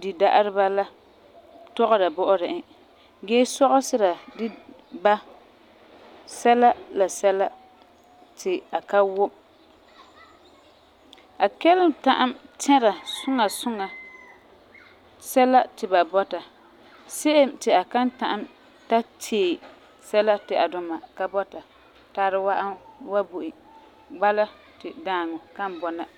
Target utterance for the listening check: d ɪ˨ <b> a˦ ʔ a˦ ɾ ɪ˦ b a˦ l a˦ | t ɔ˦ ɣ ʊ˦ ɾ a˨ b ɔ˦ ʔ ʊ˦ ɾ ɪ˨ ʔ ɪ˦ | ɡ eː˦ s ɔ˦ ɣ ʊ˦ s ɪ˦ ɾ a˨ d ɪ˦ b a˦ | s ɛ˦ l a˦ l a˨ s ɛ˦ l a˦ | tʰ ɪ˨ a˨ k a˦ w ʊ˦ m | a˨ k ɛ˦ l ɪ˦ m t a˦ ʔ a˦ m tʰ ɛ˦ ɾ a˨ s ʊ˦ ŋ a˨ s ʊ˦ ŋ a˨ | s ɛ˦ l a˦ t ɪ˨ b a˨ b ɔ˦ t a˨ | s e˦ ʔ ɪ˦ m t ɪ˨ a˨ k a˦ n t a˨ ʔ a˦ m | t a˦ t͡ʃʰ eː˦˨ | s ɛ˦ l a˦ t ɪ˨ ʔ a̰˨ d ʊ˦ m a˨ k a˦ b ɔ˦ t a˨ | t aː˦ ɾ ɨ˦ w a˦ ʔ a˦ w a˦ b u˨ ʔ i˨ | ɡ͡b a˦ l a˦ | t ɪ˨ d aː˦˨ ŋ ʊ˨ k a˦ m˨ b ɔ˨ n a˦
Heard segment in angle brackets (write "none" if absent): d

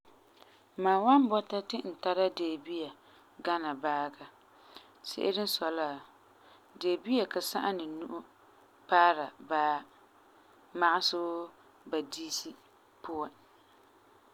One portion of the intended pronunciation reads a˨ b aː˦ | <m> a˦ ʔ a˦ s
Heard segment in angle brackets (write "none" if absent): m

